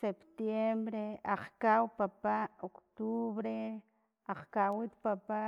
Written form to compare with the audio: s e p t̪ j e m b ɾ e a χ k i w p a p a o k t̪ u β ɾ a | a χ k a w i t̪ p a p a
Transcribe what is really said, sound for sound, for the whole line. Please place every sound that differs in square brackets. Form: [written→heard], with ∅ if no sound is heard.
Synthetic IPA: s e p t̪ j e m b ɾ e a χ k [i→a] w p a p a o k t̪ u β ɾ [a→e] | a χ k a w i t̪ p a p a

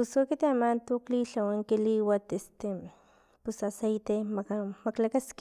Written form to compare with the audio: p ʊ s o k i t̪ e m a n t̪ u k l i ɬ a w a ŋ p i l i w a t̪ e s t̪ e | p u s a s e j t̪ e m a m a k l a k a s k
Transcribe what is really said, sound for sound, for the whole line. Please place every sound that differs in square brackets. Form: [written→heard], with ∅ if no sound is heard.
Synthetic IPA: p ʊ s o k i t̪ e m a n t̪ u k l i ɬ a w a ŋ [p→k] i l i w a t̪ e s t̪ e | p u s a s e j t̪ e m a m a k l a k a s k

